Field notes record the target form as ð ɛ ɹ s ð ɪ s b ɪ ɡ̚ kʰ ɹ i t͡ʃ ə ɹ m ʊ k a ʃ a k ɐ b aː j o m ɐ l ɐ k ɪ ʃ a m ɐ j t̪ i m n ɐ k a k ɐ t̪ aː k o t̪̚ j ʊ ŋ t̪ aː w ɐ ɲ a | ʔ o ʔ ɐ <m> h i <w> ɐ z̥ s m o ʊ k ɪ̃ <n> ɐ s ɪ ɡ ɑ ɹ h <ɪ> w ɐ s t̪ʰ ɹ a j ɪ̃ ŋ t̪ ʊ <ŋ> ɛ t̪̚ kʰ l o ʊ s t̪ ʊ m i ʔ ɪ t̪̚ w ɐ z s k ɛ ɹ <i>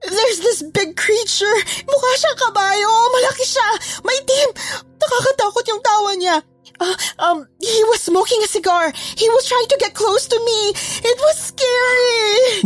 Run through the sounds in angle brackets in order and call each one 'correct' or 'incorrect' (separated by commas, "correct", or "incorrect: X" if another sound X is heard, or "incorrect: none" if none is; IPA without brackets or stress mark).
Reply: correct, correct, incorrect: ŋ, incorrect: i, incorrect: ɡ, correct